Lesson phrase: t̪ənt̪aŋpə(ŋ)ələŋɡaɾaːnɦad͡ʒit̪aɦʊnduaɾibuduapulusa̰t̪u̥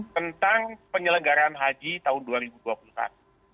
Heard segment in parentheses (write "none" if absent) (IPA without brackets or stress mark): ɲ